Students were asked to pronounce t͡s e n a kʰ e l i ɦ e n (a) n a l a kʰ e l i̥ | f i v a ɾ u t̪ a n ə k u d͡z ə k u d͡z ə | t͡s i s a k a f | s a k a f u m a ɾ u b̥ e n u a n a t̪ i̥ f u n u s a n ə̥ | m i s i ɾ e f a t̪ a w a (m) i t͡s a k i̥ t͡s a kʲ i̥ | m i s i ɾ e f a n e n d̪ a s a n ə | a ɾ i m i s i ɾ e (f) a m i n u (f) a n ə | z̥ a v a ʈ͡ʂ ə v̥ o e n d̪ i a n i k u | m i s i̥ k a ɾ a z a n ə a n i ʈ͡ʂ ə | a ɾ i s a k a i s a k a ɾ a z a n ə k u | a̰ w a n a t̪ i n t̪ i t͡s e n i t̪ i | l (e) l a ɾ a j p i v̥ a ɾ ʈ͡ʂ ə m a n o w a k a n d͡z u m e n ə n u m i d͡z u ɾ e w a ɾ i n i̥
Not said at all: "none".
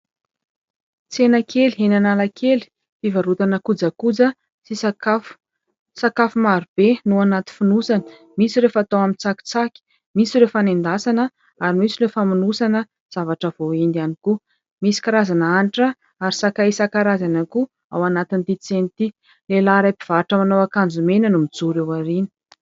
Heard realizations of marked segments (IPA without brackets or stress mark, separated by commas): a, m, f, s, e